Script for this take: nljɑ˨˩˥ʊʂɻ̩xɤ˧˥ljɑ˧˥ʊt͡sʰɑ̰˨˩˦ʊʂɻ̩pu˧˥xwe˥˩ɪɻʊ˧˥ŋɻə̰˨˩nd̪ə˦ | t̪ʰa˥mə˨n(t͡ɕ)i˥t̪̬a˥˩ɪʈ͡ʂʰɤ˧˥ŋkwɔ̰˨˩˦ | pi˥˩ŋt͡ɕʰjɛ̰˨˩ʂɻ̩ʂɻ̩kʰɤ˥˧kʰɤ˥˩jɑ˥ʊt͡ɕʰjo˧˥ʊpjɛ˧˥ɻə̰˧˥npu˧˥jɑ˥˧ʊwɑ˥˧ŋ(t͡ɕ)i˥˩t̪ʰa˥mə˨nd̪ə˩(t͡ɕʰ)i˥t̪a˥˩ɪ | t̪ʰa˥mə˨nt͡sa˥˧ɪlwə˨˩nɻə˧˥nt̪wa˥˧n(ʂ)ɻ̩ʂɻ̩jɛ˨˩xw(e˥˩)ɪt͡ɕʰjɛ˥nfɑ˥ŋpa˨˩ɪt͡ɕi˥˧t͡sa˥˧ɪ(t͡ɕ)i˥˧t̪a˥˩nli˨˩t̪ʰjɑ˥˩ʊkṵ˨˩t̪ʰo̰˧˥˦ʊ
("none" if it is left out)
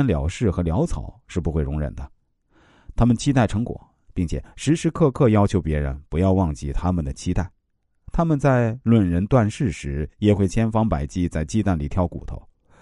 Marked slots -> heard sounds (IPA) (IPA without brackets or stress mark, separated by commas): t͡ɕʰ, t͡ɕ, t͡ɕʰ, ʂ, e˥˩, t͡ɕ